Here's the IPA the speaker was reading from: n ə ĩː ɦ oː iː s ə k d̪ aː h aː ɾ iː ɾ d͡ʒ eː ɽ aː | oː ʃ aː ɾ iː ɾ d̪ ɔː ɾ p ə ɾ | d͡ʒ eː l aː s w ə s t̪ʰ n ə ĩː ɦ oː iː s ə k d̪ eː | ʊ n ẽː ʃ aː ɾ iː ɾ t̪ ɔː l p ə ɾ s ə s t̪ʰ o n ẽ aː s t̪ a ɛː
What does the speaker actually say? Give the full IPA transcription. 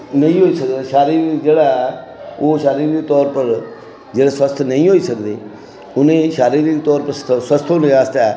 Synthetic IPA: n ə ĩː ɦ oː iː s ə k d̪ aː ʃ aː ɾ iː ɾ d͡ʒ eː ɽ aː | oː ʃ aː ɾ iː ɾ t̪ ɔː ɾ p ə ɾ | d͡ʒ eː ɽ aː s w ə s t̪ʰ n ə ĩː ɦ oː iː s ə k d̪ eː | ʊ n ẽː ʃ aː ɾ iː ɾ t̪ ɔː ɾ p ə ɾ s ə s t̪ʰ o n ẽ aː s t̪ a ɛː